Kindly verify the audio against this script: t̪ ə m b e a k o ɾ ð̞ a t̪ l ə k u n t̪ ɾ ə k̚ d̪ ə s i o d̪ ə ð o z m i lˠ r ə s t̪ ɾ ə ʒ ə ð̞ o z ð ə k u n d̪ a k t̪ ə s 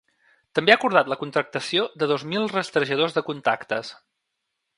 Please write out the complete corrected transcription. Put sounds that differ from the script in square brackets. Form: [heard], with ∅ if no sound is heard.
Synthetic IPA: t̪ ə m b e a k [u] ɾ ð̞ a t̪ l ə k u n t̪ ɾ ə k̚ [t̪] ə s i o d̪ ə ð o z m i lˠ r ə s t̪ ɾ ə ʒ ə ð̞ o z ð ə k u n [t̪] a k t̪ ə s